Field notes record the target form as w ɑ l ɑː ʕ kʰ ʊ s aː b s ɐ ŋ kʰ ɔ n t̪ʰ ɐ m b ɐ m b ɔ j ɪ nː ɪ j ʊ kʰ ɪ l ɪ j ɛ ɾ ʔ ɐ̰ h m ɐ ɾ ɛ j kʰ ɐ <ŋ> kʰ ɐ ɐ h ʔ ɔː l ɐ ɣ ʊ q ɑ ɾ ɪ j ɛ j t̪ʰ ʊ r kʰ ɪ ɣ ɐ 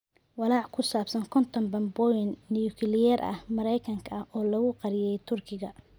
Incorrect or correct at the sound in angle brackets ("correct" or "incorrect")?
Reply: correct